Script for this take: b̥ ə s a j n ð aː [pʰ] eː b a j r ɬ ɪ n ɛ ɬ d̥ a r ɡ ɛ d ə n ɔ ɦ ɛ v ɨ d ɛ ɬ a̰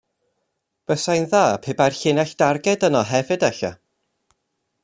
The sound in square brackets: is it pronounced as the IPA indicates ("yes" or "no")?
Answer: yes